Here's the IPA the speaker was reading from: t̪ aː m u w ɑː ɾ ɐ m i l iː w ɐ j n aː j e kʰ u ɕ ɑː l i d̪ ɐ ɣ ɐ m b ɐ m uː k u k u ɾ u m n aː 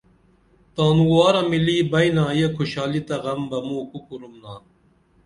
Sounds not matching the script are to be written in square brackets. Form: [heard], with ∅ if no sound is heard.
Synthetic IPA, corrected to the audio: t̪ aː [n] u w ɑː ɾ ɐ m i l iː [b] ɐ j n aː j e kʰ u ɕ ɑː l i [t̪] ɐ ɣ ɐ m b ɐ m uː k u k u ɾ u m n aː